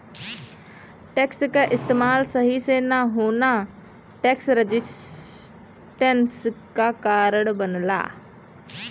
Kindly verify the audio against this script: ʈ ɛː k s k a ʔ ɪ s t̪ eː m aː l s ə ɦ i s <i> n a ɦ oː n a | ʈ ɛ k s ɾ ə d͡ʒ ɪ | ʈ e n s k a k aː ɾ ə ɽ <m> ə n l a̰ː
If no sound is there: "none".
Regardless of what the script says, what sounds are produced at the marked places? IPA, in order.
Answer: e, b

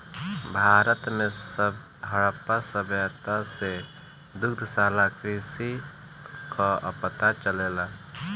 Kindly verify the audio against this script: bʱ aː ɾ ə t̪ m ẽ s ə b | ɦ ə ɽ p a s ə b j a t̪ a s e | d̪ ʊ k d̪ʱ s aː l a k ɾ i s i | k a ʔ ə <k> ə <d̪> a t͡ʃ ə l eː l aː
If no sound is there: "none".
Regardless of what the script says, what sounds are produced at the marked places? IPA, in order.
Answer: p, t̪

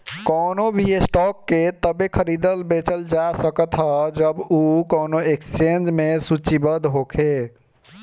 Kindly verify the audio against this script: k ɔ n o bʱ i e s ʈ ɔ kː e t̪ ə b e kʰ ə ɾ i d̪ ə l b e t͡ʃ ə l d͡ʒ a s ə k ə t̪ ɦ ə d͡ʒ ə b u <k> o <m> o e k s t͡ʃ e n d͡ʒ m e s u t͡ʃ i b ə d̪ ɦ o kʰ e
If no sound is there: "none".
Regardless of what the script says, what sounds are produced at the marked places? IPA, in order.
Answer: k, n

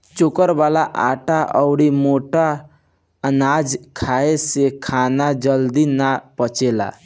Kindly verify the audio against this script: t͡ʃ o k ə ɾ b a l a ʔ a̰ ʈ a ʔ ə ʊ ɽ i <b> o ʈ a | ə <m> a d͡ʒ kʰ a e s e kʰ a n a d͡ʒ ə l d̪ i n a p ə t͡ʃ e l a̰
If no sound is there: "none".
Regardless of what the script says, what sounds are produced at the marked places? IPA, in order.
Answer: m, n

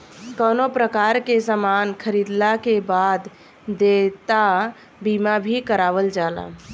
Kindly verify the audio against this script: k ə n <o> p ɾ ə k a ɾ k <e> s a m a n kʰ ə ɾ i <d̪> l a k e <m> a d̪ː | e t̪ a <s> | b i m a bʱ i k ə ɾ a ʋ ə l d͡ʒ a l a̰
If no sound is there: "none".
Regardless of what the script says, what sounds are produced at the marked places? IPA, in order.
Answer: o, e, d̪, b, none

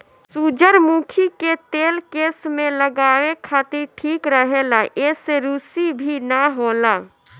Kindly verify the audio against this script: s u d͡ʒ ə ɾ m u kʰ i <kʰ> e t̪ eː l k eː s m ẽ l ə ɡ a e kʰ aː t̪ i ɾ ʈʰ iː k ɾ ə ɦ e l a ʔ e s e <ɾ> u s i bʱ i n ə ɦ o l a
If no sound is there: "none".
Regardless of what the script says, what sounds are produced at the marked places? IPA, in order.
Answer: k, ɾ

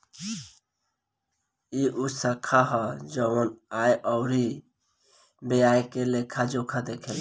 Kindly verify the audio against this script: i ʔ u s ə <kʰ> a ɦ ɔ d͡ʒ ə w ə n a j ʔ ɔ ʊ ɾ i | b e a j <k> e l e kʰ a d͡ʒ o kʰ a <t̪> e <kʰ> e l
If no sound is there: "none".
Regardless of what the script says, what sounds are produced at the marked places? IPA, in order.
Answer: kʰ, k, d̪, kʰ

